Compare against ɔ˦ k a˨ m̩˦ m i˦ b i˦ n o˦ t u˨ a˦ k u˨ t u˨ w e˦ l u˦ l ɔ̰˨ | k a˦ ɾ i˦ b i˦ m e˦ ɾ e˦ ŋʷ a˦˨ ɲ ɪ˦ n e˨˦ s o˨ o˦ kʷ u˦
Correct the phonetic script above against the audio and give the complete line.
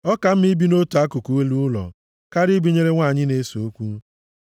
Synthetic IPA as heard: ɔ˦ k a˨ m̩˦ m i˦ b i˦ n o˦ t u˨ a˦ k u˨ k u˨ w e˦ l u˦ l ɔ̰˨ | k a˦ ɾ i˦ b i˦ ɲ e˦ ɾ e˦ ŋʷ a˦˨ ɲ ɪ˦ n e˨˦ s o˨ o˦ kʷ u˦